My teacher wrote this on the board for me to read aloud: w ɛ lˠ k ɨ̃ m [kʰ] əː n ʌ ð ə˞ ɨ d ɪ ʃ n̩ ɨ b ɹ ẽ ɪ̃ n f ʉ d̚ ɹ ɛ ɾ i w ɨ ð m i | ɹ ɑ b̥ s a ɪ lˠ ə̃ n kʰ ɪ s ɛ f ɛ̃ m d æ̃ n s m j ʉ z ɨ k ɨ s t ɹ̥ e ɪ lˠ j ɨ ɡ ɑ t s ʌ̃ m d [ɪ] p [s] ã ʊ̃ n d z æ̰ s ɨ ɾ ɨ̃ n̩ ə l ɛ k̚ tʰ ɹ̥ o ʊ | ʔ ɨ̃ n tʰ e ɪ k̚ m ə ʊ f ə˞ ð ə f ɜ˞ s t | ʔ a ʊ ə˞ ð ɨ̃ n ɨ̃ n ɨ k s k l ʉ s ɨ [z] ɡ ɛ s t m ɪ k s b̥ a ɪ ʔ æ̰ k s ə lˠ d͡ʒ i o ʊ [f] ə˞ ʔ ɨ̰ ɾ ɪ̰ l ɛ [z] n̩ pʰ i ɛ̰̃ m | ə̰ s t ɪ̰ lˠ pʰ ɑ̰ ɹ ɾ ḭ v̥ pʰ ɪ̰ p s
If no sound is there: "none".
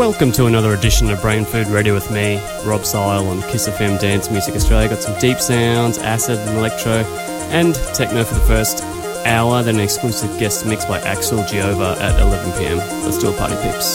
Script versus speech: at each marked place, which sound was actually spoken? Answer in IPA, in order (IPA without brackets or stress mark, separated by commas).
tʰ, i, s, v, v, v